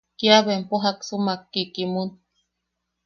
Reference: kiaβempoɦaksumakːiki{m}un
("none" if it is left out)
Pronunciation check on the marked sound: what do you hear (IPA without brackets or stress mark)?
m